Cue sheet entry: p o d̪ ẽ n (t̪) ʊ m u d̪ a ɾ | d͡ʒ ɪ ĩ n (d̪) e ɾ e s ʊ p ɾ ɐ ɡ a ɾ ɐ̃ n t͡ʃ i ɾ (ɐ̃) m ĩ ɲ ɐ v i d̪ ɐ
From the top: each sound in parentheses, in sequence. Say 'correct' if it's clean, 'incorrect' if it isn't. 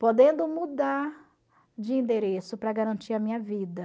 incorrect, correct, incorrect

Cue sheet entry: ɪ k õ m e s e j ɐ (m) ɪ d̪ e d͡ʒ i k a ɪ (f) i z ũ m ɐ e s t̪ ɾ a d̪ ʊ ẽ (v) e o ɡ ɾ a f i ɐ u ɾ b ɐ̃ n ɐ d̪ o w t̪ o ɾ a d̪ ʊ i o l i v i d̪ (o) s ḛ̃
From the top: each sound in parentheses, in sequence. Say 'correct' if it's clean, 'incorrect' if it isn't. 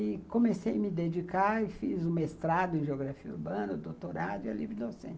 correct, correct, incorrect, correct

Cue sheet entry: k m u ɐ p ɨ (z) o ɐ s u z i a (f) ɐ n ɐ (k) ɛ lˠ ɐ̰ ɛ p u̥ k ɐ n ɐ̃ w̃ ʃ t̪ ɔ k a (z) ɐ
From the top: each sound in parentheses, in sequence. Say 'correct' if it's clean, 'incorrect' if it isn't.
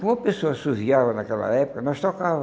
incorrect, incorrect, correct, incorrect

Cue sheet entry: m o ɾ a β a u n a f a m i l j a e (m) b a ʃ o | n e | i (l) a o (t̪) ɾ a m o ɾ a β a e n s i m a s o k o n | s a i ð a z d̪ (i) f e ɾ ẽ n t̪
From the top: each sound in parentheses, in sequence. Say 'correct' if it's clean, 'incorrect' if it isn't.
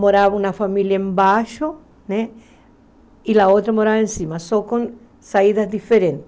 correct, correct, correct, correct

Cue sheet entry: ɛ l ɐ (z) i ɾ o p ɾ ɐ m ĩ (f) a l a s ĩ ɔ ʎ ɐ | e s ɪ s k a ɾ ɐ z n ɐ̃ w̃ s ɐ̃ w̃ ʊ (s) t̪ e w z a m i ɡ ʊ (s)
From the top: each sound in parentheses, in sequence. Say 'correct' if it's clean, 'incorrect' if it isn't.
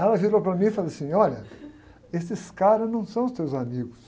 incorrect, correct, correct, correct

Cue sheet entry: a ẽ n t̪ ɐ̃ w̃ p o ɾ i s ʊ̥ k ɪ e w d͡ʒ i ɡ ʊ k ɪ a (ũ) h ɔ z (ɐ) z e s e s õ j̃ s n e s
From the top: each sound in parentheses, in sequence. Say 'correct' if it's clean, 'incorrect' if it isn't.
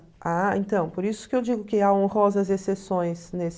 incorrect, correct

